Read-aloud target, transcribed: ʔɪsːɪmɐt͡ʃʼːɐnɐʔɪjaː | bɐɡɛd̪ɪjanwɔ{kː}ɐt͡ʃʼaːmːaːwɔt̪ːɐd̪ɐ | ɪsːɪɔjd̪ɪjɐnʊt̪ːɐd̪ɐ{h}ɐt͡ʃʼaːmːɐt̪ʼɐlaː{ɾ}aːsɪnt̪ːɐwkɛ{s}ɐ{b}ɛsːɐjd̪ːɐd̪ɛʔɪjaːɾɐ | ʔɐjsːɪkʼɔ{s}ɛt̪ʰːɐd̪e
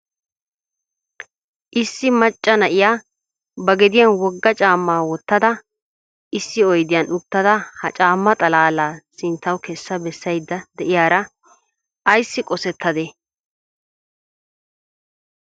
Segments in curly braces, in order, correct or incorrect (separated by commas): incorrect, correct, incorrect, incorrect, correct, correct